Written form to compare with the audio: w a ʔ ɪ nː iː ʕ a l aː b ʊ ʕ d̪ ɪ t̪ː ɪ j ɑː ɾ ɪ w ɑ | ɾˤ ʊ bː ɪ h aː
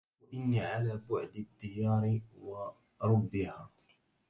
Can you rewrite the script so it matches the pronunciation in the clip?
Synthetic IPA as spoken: w a ʔ ɪ nː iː ʕ a l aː b ʊ ʕ d̪ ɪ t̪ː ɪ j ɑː ɾ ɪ w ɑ | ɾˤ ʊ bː ɪ h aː